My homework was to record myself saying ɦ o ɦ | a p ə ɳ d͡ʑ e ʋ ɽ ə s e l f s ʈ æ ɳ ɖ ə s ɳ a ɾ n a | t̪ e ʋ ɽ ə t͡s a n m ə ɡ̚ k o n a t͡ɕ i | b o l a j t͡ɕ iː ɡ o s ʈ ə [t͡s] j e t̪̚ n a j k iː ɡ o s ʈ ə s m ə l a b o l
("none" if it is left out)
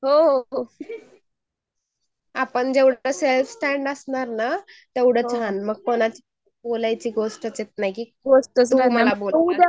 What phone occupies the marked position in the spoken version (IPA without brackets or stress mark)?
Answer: t͡s